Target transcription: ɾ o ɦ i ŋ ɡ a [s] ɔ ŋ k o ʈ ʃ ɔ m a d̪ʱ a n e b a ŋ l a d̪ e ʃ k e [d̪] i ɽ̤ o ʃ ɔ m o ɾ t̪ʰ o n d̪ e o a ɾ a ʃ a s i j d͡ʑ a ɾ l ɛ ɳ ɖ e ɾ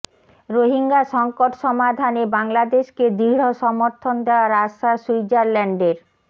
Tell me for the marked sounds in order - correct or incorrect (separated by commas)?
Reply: incorrect, correct